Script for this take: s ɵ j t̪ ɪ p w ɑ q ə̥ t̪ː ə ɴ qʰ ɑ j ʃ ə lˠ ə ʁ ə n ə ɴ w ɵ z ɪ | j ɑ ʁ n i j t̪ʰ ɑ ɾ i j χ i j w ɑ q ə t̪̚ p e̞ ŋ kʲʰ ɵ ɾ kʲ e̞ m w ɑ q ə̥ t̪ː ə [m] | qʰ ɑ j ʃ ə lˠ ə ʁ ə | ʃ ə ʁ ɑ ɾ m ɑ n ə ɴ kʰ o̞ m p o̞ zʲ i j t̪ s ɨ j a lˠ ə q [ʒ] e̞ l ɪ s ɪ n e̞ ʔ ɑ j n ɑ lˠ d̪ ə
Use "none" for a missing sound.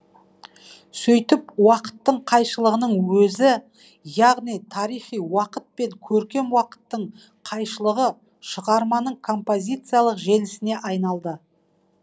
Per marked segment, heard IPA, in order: ɴ, ʒ

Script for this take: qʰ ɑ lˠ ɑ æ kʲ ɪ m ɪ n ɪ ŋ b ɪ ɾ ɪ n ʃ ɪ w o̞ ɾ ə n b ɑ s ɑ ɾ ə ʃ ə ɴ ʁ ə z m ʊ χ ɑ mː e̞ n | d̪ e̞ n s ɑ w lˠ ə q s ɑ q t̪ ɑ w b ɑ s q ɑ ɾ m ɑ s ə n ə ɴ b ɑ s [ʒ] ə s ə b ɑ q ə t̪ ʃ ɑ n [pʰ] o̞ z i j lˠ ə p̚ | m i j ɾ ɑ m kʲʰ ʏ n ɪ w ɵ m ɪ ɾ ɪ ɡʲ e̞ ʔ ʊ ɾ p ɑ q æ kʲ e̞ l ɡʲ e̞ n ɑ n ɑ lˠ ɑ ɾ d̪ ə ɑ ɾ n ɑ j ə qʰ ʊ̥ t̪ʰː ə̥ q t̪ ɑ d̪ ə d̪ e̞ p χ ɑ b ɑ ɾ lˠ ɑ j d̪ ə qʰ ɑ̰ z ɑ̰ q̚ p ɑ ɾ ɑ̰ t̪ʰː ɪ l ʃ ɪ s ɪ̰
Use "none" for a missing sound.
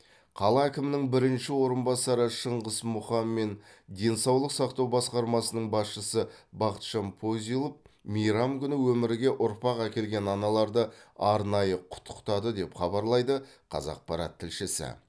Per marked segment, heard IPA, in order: ʃ, pʰ

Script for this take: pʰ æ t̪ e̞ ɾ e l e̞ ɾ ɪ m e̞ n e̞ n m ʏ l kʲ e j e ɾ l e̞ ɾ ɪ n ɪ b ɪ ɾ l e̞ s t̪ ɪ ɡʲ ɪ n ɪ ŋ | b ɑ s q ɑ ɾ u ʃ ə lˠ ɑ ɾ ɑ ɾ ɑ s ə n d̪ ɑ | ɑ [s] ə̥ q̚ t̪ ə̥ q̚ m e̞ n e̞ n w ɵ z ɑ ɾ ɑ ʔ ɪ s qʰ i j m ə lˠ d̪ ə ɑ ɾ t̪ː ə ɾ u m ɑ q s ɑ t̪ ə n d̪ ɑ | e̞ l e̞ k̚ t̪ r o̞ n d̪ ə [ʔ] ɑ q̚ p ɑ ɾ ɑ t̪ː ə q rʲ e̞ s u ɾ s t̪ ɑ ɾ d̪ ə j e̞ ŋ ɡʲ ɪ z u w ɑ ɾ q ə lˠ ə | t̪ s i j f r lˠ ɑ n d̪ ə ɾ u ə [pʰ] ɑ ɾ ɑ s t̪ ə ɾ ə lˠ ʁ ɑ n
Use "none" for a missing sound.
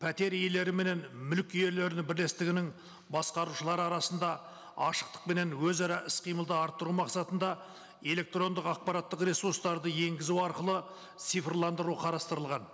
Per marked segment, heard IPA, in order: ʃ, q, qʰ

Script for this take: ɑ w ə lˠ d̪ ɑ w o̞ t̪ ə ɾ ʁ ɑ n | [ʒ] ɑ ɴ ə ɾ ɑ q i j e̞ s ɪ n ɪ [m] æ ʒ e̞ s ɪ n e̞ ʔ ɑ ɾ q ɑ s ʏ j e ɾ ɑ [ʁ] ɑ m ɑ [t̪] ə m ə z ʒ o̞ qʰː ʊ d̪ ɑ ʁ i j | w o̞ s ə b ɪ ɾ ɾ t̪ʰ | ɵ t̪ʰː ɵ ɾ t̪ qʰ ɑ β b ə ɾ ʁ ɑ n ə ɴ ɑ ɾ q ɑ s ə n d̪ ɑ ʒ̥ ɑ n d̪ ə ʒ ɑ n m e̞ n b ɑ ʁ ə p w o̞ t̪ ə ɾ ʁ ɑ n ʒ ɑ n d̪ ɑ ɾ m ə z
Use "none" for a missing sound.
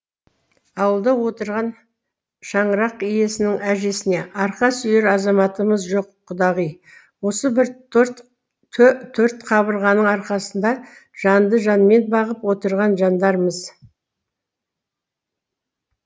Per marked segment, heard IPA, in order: ʃ, ŋ, z, t̪

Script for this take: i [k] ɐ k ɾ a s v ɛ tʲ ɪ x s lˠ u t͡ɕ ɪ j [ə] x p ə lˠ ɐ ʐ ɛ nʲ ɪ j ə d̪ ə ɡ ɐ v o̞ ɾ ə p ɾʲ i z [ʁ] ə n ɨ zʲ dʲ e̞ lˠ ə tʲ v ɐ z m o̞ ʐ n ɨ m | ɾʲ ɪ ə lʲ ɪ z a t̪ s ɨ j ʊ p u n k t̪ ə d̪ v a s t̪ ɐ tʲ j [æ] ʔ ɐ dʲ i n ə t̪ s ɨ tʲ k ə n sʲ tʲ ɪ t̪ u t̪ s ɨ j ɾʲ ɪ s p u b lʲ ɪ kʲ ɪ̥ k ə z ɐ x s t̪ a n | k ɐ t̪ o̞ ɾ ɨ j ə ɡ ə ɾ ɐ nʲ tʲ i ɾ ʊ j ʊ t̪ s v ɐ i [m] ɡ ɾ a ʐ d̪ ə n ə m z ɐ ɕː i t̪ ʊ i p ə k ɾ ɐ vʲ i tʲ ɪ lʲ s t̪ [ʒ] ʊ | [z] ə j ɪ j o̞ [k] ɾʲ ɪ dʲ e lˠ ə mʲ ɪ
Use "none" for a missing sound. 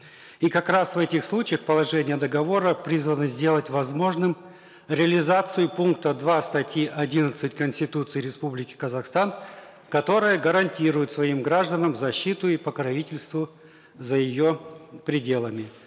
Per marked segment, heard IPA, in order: k, ə, v, i, m, v, z, p

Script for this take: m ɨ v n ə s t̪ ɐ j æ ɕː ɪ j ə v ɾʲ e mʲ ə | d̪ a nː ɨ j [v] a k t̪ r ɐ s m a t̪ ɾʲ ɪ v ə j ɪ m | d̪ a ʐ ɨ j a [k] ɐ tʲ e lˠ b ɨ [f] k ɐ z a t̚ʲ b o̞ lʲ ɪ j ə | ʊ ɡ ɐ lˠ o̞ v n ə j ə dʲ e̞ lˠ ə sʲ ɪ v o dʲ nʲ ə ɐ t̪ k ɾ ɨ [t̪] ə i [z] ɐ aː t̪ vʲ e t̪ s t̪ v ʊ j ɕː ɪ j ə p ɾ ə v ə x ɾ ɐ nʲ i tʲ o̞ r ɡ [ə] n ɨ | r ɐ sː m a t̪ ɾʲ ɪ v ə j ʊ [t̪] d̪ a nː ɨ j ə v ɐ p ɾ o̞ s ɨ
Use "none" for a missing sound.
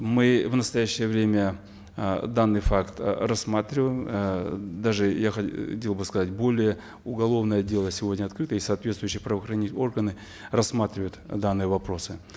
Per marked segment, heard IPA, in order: f, x, s, t̪, s, ə, t̪

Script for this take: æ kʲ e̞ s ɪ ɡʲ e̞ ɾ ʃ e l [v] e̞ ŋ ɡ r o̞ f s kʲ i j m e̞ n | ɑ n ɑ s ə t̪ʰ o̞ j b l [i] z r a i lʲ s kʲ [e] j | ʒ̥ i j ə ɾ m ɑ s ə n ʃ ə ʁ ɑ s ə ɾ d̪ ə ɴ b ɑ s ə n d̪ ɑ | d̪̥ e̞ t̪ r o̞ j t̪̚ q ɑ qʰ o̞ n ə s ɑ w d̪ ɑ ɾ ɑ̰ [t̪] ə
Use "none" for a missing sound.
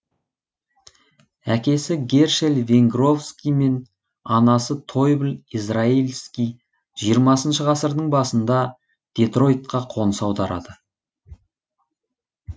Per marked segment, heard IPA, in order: v, i, i, d̪

